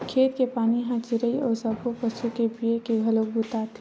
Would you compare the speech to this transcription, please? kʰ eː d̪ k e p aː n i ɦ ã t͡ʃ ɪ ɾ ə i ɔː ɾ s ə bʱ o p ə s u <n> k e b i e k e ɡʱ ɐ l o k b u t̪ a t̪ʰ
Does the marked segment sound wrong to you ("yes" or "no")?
yes